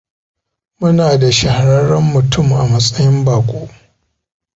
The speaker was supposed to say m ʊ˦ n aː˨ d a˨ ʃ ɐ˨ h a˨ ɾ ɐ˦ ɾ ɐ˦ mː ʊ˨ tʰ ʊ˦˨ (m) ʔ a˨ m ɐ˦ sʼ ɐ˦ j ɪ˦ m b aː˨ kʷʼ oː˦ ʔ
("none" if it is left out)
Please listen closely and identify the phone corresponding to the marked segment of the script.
m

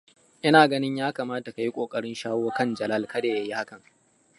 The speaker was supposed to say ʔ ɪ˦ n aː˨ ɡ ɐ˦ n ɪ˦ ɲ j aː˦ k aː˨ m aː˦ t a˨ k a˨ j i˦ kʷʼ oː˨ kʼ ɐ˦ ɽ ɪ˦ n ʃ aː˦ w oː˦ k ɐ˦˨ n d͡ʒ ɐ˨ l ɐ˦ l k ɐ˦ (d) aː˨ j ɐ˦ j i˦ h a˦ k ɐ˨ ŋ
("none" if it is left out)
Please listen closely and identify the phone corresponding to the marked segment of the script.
d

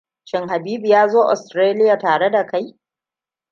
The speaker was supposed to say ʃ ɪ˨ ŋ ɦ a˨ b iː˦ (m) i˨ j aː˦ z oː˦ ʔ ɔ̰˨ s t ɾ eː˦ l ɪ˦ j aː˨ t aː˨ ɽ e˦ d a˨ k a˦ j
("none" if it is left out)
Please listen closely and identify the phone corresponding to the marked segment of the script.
b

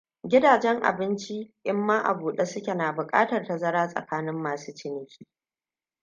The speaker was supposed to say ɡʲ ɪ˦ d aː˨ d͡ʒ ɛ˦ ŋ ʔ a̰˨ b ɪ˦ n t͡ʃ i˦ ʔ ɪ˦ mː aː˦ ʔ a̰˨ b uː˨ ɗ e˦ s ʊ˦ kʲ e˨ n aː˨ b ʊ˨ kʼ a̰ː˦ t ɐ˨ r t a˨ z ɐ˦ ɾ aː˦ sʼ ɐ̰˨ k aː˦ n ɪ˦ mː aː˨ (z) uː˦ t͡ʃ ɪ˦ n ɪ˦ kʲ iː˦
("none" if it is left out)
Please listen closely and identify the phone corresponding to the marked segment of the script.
s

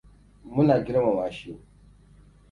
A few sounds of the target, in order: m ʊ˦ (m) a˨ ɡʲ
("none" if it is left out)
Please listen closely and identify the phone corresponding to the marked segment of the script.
n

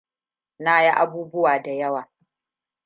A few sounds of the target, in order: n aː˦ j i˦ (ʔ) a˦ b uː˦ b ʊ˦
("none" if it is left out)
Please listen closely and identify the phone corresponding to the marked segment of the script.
ʔ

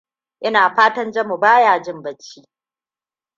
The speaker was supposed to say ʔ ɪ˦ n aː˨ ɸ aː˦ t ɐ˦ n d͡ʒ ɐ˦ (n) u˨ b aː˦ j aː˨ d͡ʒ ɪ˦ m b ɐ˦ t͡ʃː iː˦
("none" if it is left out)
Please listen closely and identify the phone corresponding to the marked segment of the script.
m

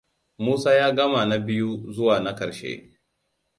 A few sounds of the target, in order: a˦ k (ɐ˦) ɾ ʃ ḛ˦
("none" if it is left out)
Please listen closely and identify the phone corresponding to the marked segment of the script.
ɐ˨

